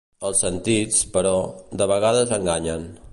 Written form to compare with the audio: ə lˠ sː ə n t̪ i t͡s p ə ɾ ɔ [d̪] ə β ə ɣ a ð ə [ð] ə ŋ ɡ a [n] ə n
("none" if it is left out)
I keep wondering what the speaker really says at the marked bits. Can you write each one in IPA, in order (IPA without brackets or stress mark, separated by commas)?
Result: d̪, z, ɲ